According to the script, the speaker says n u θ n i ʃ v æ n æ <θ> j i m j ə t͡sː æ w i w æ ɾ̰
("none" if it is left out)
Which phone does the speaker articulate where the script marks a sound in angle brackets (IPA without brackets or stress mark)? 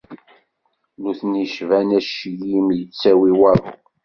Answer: ʃ